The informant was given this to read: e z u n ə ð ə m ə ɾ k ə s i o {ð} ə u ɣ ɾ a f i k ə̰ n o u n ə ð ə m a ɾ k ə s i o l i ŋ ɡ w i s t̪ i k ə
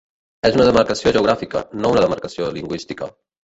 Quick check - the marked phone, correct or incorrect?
incorrect